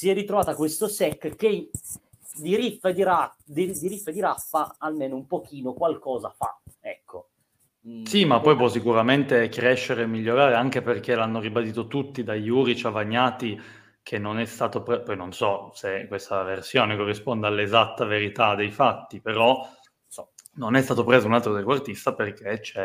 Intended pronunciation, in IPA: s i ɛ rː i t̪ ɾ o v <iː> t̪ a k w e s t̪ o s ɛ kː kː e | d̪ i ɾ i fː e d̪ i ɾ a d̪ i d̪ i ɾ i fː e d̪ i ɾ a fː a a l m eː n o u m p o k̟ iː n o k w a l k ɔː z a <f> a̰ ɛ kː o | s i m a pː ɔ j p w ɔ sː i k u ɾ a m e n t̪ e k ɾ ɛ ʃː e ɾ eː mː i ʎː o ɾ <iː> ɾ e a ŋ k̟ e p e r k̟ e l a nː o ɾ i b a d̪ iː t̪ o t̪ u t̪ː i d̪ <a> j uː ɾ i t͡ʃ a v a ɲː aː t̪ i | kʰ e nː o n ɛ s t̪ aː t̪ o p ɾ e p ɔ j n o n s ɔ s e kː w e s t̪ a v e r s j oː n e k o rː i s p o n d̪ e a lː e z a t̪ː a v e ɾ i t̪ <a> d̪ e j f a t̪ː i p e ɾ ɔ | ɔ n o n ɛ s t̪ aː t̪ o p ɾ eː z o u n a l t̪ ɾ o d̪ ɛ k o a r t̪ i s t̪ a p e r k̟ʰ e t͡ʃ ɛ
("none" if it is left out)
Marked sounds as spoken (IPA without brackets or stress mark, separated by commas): aː, f, aː, a, a